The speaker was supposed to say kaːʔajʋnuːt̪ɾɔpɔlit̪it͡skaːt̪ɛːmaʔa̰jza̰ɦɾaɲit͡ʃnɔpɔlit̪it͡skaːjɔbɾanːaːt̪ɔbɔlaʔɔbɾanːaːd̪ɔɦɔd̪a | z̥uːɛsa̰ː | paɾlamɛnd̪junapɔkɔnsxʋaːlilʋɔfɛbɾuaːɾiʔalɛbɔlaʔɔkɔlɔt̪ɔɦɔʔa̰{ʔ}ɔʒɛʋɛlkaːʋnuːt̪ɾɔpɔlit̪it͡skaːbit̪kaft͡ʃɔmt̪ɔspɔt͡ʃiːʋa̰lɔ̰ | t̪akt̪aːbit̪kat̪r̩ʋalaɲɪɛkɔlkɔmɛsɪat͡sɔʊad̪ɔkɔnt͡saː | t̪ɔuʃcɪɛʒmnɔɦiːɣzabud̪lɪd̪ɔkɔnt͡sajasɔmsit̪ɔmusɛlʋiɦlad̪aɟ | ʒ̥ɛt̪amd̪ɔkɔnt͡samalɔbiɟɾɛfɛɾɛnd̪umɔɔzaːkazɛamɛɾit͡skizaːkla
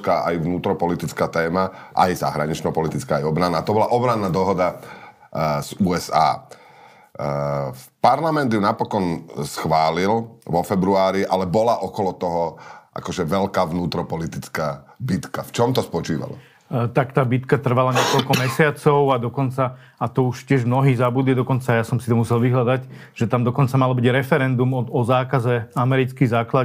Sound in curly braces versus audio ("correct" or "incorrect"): incorrect